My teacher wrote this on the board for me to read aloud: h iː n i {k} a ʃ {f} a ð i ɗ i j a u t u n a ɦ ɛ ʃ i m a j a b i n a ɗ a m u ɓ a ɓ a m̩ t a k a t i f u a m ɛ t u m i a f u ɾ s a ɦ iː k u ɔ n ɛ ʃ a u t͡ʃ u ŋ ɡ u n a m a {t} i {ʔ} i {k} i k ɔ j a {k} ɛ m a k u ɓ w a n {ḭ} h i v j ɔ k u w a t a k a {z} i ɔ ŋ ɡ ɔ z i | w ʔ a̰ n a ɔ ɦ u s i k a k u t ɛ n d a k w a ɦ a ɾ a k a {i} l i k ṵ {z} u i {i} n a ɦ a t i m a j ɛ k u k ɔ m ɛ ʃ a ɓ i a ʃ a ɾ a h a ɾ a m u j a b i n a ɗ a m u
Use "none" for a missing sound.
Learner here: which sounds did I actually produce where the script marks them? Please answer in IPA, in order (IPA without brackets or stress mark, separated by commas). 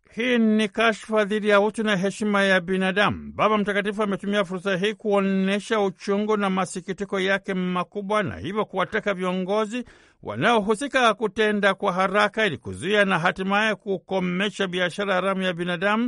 k, f, s, k, t, k, a̰, v, i, z, a